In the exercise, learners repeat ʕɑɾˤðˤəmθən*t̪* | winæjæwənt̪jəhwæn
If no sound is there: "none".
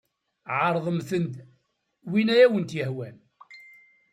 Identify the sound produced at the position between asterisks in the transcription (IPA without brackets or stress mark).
d̪